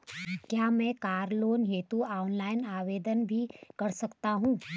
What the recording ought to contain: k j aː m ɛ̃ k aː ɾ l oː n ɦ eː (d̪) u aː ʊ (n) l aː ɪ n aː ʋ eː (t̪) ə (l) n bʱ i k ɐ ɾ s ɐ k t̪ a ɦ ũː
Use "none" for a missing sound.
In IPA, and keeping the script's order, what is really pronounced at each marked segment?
t̪, n, d̪, none

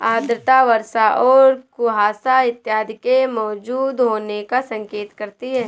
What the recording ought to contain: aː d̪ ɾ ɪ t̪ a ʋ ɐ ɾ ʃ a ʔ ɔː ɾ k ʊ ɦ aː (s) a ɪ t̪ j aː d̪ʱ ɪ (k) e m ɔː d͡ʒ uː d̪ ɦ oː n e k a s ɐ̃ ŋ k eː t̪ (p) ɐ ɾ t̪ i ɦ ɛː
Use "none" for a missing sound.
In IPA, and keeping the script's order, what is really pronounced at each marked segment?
s, k, k

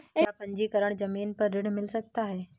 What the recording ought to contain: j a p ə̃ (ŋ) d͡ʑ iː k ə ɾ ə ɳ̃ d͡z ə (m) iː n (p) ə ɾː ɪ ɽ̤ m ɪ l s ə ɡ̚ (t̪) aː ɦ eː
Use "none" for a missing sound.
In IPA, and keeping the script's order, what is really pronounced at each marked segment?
ɲ, m, p, t̪

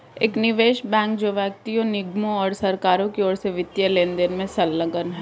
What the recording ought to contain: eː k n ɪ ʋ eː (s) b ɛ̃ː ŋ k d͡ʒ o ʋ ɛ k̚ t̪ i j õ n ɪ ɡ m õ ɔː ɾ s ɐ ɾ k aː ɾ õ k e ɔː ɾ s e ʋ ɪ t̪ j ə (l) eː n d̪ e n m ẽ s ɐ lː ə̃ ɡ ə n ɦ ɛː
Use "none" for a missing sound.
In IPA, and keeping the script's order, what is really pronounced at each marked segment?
ʃ, l

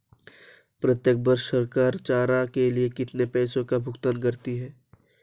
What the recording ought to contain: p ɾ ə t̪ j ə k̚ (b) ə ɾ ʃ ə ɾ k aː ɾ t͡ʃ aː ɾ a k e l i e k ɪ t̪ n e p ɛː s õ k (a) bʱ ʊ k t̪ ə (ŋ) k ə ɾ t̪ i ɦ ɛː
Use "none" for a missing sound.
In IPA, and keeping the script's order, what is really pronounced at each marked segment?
b, a, n

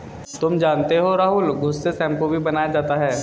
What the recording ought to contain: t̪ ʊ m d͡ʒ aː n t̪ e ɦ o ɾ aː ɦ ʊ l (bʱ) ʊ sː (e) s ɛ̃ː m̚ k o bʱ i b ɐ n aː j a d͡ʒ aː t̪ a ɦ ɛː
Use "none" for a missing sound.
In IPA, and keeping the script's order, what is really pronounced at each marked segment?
ɡʱ, e

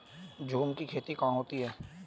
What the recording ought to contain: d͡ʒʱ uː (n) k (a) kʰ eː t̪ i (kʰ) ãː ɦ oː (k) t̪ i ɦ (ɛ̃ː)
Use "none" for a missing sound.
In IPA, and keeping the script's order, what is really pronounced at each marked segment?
m, i, k, none, ɛː

